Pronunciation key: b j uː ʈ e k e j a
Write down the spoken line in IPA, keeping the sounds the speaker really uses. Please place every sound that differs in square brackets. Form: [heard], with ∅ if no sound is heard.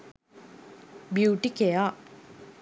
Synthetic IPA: b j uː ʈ [i] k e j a